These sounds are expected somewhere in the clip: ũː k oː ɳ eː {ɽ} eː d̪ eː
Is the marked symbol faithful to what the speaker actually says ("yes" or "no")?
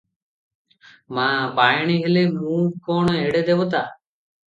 yes